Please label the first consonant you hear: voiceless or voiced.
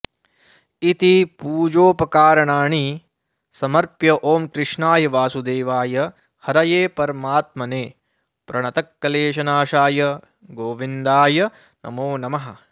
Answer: voiceless